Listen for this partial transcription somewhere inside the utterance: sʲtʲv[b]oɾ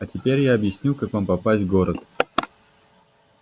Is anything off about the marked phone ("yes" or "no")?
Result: yes